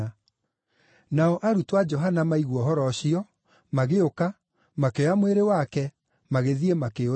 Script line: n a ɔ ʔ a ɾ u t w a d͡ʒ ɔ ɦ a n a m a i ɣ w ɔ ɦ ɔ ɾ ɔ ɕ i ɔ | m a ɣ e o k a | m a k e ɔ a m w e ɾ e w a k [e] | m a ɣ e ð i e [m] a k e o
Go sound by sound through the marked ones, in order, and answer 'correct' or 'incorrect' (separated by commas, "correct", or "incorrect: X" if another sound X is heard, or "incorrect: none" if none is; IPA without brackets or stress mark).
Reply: incorrect: ɛ, correct